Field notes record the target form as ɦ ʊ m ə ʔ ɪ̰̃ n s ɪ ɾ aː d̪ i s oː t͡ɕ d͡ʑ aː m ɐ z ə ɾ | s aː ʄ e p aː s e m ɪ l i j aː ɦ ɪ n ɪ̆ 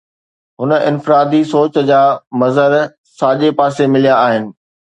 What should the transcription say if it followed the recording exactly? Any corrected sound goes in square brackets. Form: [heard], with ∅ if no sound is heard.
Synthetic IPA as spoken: ɦ ʊ [n] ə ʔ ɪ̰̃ n [f] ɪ ɾ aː d̪ i s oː t͡ɕ d͡ʑ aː m ɐ z ə ɾ | s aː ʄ e p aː s e m ɪ l i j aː ɦ ɪ n ɪ̆